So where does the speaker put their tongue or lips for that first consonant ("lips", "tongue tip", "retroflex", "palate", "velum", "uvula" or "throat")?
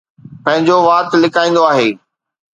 lips